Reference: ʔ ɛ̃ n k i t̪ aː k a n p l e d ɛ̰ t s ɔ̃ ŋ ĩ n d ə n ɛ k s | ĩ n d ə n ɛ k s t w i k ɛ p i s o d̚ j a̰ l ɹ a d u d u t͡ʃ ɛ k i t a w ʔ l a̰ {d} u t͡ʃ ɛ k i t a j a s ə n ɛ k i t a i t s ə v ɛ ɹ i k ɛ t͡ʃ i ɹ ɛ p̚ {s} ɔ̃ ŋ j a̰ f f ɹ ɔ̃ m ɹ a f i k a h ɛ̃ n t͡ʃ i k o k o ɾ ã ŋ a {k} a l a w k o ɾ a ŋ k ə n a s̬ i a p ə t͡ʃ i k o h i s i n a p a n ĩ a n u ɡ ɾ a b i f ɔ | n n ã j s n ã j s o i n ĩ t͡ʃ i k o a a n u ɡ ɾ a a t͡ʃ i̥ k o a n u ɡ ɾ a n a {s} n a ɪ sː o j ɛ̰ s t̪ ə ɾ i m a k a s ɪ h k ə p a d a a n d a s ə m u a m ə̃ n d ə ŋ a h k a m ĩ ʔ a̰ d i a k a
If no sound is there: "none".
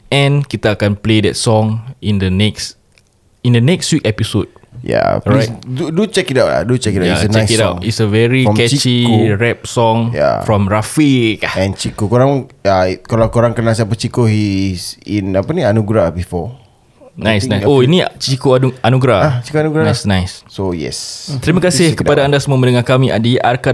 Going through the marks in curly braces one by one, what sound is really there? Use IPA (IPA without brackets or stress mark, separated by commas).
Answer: d, s, k, s